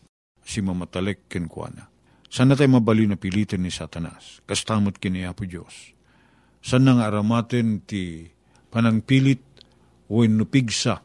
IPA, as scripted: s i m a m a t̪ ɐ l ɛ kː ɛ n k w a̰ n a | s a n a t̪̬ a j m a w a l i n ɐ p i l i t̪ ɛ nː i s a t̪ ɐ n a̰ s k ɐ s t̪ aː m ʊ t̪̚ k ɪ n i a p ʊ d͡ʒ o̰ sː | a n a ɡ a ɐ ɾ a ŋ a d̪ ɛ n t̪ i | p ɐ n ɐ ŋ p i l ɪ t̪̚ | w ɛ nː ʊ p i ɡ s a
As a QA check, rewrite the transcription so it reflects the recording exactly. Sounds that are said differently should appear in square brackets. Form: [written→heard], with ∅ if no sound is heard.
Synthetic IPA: s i m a m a t̪ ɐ l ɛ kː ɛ n k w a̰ n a | s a n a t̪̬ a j m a [w→b] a l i n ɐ p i l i t̪ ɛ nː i s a t̪ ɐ n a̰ s k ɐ s t̪ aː m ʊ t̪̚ k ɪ n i a p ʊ d͡ʒ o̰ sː | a n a [ɡ→ŋ] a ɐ ɾ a [ŋ→m] a [d̪→t̪] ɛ n t̪ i | p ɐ n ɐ ŋ p i l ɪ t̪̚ | w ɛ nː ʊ p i ɡ s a